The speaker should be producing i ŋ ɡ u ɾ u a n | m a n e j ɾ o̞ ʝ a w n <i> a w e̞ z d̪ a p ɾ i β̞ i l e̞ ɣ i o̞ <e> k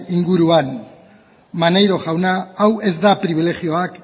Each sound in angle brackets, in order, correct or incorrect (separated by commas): incorrect, incorrect